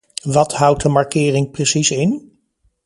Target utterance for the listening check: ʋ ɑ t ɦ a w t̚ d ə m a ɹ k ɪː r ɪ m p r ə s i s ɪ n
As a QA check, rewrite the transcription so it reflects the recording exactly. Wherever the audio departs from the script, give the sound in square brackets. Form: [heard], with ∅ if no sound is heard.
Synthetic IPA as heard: ʋ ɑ t ɦ [ʌ] w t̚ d ə m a ɹ k ɪː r ɪ [ŋ] p r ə s i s ɪ n